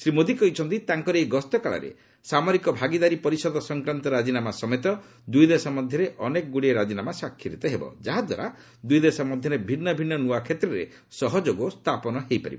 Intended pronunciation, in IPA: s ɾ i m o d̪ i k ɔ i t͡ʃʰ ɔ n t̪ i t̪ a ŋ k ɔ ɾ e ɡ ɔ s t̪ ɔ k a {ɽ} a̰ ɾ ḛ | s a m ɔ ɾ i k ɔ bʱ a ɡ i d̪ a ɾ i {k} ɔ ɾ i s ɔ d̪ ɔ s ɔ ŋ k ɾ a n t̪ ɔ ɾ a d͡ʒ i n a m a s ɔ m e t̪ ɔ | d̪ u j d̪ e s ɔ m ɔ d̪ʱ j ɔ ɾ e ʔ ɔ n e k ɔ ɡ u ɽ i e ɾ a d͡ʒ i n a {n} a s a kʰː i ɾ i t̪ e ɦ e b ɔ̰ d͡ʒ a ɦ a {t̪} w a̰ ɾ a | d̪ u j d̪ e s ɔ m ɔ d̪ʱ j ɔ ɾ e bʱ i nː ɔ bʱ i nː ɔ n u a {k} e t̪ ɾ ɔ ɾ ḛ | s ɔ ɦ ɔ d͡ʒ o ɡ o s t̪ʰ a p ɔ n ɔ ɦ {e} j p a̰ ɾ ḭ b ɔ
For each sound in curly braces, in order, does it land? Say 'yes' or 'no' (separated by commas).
no, no, no, no, no, yes